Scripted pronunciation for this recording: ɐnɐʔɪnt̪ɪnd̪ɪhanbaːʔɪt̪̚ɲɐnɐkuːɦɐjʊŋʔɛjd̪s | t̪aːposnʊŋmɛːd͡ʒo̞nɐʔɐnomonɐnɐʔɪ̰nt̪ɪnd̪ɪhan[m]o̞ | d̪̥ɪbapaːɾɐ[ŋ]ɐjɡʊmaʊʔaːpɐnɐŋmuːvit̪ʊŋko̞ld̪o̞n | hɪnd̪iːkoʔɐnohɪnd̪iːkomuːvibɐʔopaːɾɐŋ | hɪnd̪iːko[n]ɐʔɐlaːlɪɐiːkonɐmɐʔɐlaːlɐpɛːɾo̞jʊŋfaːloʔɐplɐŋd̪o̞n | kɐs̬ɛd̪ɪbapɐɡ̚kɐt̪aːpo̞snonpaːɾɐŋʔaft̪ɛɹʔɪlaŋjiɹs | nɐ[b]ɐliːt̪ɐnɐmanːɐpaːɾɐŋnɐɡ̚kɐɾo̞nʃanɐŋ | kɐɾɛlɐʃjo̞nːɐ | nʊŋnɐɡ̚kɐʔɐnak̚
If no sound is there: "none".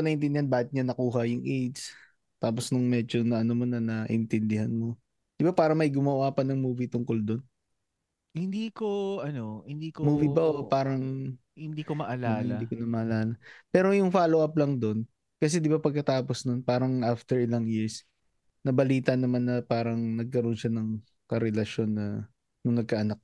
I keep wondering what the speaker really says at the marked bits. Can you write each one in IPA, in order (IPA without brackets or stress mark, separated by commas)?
m, m, m, b